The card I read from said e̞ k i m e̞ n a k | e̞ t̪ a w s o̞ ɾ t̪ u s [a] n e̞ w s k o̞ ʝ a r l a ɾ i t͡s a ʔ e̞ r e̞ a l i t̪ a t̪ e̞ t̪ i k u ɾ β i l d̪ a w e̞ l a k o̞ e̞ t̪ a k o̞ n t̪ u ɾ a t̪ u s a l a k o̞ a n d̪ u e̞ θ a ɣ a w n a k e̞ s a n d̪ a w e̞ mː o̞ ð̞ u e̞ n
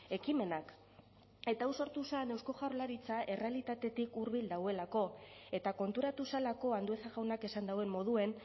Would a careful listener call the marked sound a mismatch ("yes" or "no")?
no